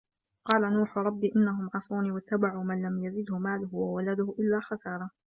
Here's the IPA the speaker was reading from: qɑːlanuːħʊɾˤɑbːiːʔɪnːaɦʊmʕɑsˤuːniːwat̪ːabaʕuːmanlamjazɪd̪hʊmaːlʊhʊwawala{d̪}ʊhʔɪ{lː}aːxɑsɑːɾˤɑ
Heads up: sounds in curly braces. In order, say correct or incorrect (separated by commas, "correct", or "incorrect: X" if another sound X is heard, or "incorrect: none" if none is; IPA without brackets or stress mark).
correct, correct